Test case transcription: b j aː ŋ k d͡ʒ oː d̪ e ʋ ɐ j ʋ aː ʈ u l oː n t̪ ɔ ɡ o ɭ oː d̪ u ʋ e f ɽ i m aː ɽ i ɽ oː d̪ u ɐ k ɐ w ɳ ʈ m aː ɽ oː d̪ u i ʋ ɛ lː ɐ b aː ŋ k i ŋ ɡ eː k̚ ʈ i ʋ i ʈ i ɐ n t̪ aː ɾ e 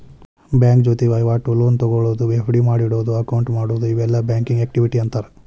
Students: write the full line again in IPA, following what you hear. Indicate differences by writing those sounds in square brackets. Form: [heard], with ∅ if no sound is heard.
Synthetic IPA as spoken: b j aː ŋ k d͡ʒ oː [t̪] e ʋ ɐ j ʋ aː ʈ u l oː n t̪ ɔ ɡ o ɭ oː d̪ u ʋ e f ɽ i m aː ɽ i ɽ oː d̪ u ɐ k ɐ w ɳ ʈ m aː ɽ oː d̪ u i ʋ ɛ lː ɐ b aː ŋ k i ŋ ɡ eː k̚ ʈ i ʋ i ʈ i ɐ n t̪ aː ɾ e

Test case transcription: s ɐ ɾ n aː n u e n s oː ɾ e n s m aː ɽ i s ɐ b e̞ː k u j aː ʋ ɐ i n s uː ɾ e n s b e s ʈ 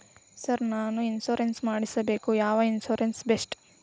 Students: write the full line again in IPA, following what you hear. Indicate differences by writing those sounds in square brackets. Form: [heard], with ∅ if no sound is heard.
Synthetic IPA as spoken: s ɐ ɾ n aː n u [i] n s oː ɾ e n s m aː ɽ i s ɐ b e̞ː k u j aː ʋ ɐ i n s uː ɾ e n s b e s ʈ

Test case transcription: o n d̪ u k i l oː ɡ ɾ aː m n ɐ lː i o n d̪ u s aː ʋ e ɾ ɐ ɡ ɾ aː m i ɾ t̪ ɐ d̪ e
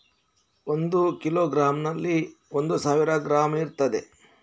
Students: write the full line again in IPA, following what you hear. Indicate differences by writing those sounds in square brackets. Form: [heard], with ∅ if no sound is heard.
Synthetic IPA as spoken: o n d̪ u k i l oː ɡ ɾ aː m n ɐ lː i o n d̪ u s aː ʋ [i] ɾ ɐ ɡ ɾ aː m i ɾ t̪ ɐ d̪ e

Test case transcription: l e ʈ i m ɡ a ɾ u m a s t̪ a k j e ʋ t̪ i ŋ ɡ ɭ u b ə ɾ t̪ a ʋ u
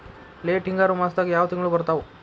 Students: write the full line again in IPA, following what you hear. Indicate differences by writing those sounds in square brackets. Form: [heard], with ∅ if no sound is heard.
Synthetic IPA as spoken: l e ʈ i [ŋ] ɡ a ɾ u m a s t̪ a k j [a] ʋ t̪ i ŋ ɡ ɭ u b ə ɾ t̪ a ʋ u

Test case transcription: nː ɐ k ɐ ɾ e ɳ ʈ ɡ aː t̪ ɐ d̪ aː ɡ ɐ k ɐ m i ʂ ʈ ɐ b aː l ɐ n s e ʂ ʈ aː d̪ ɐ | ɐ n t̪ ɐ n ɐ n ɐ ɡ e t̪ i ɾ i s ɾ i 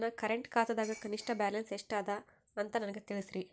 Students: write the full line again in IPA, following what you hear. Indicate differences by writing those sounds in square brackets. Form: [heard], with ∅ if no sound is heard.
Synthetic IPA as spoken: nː ɐ k ɐ ɾ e ɳ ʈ [k] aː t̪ ɐ d̪ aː ɡ ɐ k ɐ [n] i ʂ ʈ ɐ b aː l ɐ n s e ʂ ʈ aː d̪ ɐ | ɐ n t̪ ɐ n ɐ n ɐ ɡ e t̪ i [ɭ] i s ɾ i

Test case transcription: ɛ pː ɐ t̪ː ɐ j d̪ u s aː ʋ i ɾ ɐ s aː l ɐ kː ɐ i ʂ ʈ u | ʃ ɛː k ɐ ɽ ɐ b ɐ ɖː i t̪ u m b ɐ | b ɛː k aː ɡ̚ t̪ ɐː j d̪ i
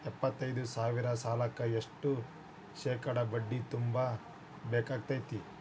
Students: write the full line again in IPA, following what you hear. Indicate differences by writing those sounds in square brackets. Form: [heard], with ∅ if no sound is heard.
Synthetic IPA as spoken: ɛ pː ɐ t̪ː ɐ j d̪ u s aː ʋ i ɾ ɐ s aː l ɐ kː ɐ [e] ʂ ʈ u | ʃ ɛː k ɐ ɽ ɐ b ɐ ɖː i t̪ u m b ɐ | b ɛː k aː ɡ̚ t̪ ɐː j [t̪] i

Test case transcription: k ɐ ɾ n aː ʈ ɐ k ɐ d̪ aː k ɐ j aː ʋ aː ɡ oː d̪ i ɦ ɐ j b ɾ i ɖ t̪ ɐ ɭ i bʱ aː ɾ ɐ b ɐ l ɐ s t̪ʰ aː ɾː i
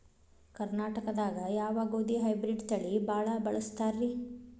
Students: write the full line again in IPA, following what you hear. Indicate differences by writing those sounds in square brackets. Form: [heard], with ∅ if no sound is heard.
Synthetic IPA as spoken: k ɐ ɾ n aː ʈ ɐ k ɐ d̪ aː [ɡ] ɐ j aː ʋ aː ɡ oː d̪ i ɦ ɐ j b ɾ i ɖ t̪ ɐ ɭ i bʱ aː [ɭ] ɐ b ɐ [ɭ] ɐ s [t̪] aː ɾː i

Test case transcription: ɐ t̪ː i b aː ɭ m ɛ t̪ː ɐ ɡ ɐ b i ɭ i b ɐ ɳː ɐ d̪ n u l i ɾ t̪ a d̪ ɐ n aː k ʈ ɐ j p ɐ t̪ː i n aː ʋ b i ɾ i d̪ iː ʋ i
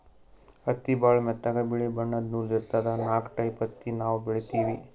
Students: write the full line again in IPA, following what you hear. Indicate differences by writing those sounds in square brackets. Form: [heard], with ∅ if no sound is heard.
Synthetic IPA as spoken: ɐ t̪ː i b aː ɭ m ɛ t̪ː ɐ ɡ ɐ b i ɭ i b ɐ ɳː ɐ d̪ n u l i ɾ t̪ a d̪ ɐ n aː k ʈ ɐ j p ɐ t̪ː i n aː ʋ b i [ɭ] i [t̪] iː ʋ i

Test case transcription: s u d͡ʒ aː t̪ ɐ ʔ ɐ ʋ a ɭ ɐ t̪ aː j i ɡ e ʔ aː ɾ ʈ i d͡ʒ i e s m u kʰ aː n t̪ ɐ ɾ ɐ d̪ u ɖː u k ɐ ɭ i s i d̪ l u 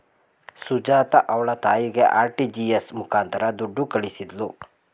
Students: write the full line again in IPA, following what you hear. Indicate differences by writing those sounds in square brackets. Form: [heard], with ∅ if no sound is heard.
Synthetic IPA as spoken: s u d͡ʒ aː t̪ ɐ ʔ ɐ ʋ [ɐ] ɭ ɐ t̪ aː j i ɡ e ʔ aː ɾ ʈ i d͡ʒ i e s m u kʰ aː n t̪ ɐ ɾ ɐ d̪ u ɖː u k ɐ ɭ i s i d̪ l u

